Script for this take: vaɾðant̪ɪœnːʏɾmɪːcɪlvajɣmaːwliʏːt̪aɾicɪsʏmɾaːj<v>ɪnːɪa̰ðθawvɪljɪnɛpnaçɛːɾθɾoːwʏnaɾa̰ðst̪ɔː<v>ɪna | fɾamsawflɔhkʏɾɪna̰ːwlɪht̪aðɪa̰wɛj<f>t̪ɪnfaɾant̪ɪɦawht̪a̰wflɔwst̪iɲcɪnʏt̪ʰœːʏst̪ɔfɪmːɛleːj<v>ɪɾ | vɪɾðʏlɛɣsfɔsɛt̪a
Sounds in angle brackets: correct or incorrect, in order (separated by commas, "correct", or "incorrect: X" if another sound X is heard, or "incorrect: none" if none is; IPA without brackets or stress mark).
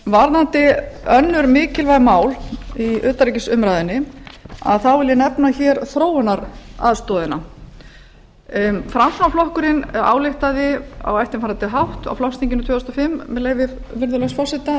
incorrect: ð, incorrect: ð, correct, correct